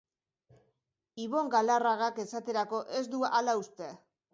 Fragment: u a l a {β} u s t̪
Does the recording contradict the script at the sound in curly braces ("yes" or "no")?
yes